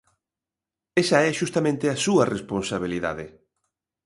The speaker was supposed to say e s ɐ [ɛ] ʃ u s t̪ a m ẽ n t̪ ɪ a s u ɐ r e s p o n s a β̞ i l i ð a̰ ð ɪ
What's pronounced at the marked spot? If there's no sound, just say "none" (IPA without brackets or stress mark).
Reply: ɛ